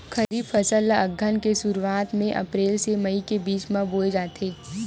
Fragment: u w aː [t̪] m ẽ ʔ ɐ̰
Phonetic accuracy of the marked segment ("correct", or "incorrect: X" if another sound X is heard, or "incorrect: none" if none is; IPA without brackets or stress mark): correct